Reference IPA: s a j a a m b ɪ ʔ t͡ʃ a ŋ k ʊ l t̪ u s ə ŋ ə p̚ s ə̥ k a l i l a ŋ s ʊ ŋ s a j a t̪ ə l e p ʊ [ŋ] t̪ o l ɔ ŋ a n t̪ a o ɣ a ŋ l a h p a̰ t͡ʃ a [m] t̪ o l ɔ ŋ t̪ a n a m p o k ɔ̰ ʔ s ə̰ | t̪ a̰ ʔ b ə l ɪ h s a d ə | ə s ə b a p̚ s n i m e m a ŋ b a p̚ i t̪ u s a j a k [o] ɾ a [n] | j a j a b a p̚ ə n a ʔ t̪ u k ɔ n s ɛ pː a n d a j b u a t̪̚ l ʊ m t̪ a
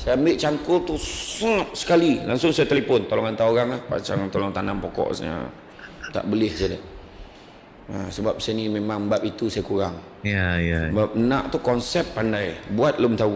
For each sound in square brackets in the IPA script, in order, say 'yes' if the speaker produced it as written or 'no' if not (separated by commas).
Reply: no, no, no, no